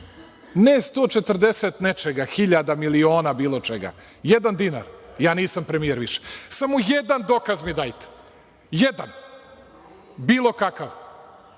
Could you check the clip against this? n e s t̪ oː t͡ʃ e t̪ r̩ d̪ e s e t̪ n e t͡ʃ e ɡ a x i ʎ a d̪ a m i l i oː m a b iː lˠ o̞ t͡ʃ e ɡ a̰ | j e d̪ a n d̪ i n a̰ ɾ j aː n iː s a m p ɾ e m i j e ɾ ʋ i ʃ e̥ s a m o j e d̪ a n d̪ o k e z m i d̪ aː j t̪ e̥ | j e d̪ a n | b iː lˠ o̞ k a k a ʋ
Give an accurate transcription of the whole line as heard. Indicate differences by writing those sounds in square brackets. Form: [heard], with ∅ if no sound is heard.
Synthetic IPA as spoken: n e s t̪ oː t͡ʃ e t̪ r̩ d̪ e s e t̪ n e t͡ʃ e ɡ a x i ʎ a d̪ a m i l i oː [n] a b iː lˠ o̞ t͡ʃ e ɡ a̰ | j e d̪ a n d̪ i n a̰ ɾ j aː n iː s a m p ɾ e m i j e ɾ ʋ i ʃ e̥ s a m o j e d̪ a n d̪ o k [a] z m i d̪ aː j t̪ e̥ | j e d̪ a n | b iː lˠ o̞ k a k a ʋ